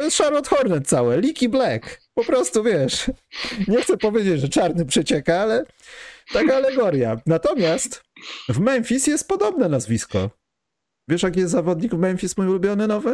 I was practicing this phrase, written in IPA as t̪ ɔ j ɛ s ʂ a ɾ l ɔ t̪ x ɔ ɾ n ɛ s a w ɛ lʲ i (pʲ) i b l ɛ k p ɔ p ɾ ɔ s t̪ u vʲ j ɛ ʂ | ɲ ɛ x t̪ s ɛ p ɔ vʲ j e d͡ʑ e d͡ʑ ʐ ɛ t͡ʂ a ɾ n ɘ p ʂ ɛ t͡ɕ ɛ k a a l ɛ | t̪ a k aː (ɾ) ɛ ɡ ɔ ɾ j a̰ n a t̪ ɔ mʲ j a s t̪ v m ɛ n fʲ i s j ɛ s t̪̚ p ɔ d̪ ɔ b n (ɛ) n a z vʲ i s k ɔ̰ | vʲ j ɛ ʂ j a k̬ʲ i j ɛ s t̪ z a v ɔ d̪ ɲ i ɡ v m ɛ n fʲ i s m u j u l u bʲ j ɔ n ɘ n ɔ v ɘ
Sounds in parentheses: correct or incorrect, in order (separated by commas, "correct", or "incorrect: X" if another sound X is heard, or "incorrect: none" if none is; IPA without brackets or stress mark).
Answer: incorrect: kʲ, incorrect: l, correct